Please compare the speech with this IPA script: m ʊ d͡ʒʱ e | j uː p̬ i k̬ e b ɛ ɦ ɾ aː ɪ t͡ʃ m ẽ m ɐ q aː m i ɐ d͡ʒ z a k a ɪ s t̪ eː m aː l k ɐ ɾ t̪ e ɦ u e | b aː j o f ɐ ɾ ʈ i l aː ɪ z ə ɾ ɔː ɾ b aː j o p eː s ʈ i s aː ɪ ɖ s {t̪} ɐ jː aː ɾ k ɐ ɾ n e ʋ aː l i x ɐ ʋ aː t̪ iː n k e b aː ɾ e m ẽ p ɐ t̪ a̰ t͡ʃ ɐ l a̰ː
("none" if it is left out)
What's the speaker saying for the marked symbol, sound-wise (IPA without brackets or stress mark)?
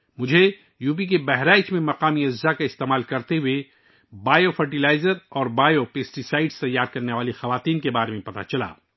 t̪